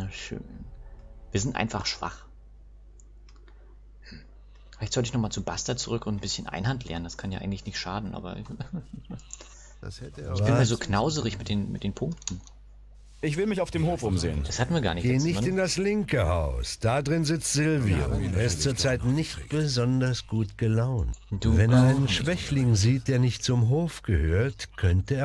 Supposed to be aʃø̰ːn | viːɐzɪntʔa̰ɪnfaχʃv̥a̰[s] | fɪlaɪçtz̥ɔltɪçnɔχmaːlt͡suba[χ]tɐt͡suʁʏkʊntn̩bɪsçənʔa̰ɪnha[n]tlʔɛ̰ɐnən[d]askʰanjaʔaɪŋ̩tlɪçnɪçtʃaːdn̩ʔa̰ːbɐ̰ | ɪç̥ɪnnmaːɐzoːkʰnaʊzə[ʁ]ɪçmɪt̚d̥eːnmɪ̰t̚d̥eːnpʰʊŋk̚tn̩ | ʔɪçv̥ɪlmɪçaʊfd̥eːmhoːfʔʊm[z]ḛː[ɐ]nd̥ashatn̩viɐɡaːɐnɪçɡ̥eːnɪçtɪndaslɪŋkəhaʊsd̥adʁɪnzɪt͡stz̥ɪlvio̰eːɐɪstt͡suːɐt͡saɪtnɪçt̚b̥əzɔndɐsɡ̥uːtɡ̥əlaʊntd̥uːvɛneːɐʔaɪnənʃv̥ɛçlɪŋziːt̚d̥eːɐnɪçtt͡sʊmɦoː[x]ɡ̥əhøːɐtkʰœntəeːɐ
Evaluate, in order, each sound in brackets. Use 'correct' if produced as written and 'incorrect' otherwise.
incorrect: χ, incorrect: s, correct, correct, correct, correct, incorrect: ə, incorrect: f

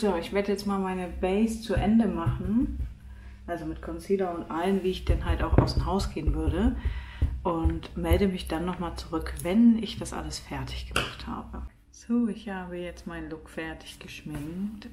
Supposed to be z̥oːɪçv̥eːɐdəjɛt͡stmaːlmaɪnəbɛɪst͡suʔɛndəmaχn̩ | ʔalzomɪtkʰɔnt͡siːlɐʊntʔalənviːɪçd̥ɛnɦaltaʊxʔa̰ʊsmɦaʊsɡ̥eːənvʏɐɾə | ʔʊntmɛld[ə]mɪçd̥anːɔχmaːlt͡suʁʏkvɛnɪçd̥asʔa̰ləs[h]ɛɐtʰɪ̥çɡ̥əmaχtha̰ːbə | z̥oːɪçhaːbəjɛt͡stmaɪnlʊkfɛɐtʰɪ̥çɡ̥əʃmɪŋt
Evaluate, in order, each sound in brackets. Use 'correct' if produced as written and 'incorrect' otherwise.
correct, incorrect: f

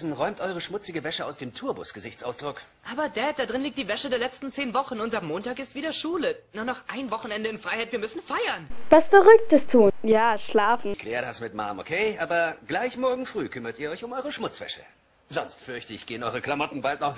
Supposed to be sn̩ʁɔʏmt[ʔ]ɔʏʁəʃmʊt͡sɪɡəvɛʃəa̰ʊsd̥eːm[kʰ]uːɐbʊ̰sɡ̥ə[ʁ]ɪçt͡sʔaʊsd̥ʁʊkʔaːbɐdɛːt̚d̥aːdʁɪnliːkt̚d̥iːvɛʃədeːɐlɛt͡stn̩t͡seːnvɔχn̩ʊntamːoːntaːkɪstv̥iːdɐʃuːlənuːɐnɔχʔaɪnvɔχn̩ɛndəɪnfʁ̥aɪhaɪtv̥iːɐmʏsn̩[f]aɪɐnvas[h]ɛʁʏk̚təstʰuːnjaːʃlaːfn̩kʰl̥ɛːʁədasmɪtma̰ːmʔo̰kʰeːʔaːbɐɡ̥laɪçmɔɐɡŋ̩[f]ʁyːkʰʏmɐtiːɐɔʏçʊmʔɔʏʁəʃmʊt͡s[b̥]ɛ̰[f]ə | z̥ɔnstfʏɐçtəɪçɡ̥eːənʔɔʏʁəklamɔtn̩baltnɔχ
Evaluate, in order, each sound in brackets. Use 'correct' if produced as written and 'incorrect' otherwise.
correct, incorrect: tʰ, incorrect: z, correct, incorrect: f, correct, incorrect: v̥, incorrect: ʃ

